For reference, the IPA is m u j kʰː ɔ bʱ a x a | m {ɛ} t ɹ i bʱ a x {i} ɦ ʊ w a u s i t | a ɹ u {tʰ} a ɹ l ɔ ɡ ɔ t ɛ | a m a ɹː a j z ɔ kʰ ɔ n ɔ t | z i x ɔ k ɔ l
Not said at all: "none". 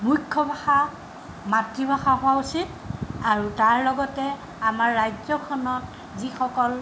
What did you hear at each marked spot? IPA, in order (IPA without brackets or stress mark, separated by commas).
a, a, t